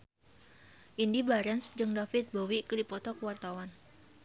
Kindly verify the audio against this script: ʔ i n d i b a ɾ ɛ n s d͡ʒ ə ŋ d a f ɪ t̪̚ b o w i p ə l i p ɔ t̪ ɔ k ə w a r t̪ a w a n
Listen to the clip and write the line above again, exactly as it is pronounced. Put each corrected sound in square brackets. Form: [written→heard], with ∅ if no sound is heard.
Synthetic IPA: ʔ i n d i b a ɾ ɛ n s d͡ʒ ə ŋ d a f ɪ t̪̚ b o w i [p→k] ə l i p ɔ t̪ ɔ k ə w a r t̪ a w a n